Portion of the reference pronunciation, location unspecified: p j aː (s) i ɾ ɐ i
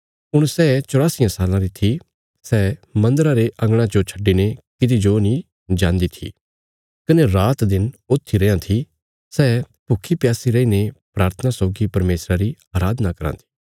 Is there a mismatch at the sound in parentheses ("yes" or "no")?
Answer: no